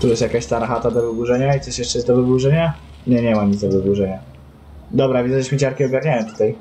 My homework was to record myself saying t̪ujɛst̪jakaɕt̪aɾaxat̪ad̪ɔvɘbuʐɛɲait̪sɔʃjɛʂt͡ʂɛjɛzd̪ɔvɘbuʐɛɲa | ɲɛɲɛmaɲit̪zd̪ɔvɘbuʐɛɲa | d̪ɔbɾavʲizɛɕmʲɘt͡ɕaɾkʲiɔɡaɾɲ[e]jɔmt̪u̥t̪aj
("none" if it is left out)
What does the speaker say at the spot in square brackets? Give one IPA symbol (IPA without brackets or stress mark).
a